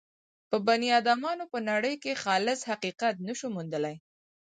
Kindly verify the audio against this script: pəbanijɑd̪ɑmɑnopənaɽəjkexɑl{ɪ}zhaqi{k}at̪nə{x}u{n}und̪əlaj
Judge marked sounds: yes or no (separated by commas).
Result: yes, no, no, no